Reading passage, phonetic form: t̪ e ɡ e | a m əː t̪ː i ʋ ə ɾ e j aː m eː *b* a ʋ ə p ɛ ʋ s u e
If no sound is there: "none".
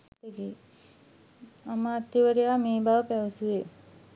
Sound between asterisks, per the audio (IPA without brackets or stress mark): b